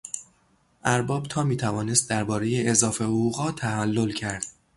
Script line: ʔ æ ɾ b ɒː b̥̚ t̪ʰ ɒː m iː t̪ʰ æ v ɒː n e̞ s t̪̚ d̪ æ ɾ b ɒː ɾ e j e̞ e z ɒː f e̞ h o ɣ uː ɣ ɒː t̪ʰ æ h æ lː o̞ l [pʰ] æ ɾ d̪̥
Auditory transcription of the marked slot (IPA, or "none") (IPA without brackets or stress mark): cʰ